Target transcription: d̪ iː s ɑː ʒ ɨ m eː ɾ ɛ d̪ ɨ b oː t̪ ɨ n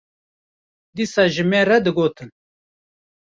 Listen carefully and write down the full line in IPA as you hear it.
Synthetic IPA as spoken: d̪ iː s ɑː ʒ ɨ m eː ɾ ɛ d̪ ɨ ɡ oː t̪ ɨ n